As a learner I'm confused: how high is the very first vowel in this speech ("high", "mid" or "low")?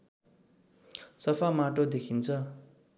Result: mid